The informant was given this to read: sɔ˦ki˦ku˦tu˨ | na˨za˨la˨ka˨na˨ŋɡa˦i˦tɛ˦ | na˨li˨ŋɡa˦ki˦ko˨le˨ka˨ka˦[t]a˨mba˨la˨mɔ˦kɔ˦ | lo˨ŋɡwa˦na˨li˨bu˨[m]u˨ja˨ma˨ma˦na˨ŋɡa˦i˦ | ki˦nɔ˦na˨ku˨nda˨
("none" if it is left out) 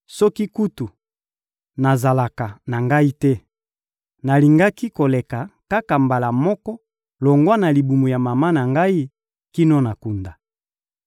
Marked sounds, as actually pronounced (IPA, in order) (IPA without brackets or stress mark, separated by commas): k, m